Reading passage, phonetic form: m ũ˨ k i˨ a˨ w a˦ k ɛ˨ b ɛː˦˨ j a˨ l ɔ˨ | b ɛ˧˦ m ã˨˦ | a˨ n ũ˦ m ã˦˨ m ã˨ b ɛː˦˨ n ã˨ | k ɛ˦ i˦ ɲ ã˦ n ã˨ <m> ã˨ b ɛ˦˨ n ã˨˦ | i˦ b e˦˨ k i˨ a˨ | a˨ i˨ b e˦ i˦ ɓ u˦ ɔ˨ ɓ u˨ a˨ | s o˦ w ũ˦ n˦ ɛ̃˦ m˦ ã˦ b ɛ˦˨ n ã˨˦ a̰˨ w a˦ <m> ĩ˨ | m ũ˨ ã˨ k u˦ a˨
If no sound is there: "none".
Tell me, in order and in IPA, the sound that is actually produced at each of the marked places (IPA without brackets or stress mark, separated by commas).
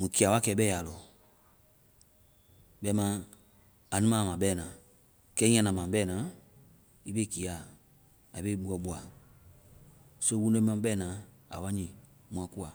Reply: m, ɲ